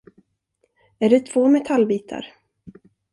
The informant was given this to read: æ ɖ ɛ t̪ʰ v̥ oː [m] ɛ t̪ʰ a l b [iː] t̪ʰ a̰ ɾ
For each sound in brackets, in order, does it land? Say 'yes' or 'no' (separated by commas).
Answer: yes, yes